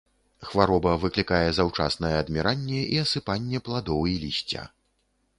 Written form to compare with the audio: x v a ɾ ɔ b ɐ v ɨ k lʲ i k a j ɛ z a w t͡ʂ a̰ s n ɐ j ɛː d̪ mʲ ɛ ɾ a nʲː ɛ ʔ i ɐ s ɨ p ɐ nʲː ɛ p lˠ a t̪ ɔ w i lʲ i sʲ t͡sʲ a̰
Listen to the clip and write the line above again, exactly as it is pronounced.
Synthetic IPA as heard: x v a ɾ ɔ b ɐ v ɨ k lʲ i k a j ɛ z a w t͡ʂ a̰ s n ɐ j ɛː d̪ mʲ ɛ ɾ a nʲː ɛ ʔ i ɐ s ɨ p a nʲː ɛ p lˠ a d̪ ɔ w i lʲ i sʲ t͡sʲ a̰